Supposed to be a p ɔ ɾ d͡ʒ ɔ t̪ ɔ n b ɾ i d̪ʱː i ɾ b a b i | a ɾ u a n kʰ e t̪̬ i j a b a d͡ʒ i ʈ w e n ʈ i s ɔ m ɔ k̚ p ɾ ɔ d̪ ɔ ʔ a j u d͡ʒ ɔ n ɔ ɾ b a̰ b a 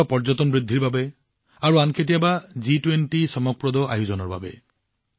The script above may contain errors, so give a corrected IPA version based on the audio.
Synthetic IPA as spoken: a p ɔ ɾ d͡ʒ ɔ t̪ ɔ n b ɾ i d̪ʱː i ɾ b a b e | a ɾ u a n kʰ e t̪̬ i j a b a d͡ʒ i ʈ w e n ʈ i s ɔ m ɔ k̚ p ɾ ɔ d̪ ɔ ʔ a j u d͡ʒ ɔ n ɔ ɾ b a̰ b e